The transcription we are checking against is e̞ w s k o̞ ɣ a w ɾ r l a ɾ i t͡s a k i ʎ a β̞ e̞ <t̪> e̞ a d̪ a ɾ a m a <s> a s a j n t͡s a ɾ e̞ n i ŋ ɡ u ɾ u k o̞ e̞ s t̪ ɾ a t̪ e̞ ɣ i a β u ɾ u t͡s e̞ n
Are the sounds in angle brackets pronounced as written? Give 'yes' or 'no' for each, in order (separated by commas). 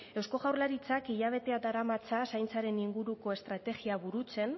yes, no